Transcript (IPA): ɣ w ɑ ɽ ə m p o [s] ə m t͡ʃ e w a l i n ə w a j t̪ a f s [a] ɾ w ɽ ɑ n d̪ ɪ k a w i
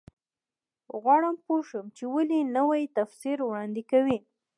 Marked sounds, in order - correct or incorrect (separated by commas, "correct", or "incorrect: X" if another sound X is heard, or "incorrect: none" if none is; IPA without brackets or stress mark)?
incorrect: ʃ, incorrect: i